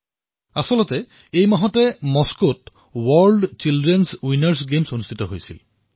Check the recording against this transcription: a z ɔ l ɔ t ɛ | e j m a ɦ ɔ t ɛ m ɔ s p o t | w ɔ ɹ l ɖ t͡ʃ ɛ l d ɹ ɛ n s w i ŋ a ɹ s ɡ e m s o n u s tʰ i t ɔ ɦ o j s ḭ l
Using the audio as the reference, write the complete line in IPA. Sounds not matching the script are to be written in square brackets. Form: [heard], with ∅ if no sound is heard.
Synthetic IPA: a [s] ɔ l ɔ t ɛ | e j m a ɦ ɔ t ɛ m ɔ s [k] o t | w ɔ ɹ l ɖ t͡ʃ [i] l d ɹ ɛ n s w i [n] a ɹ s ɡ e m s o n u s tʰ i t ɔ ɦ o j s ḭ l